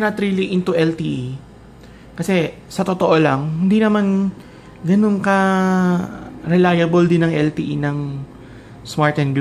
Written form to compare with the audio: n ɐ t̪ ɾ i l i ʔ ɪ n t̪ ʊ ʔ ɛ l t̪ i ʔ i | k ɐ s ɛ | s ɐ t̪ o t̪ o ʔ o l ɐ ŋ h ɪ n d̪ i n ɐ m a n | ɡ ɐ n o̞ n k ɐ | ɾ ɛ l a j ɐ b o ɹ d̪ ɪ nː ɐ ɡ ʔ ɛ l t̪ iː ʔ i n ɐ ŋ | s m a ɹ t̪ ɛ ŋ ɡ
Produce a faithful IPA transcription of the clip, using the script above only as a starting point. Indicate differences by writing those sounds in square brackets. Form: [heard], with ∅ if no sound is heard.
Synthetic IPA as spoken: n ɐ t̪ ɾ i l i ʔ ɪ n t̪ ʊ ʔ ɛ l t̪ i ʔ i | k ɐ s ɛ | s ɐ t̪ o t̪ o ʔ o l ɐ ŋ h ɪ n d̪ i n ɐ m a n | ɡ ɐ n o̞ n k ɐ | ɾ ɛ l a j ɐ b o [l] d̪ ɪ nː ɐ [ŋ] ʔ ɛ l t̪ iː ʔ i n ɐ ŋ | s m a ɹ t̪ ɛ [n] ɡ